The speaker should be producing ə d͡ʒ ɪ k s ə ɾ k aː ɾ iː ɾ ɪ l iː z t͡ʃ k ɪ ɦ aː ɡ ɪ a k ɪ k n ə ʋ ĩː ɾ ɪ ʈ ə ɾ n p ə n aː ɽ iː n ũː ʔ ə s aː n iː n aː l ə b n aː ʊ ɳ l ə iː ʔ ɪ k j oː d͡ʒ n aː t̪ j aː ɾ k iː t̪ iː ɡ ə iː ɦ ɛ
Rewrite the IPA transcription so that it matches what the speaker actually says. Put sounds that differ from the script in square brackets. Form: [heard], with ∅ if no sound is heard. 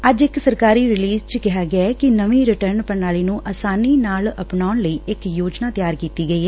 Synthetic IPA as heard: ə d͡ʒ ɪ k s ə ɾ k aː ɾ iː ɾ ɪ l iː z t͡ʃ k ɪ ɦ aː ɡ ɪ a k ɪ [∅] n ə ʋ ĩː ɾ ɪ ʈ ə ɾ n p ə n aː [l] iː n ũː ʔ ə s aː n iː n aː l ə [p] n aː ʊ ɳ l ə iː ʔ ɪ k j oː d͡ʒ n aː t̪ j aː ɾ k iː t̪ iː ɡ ə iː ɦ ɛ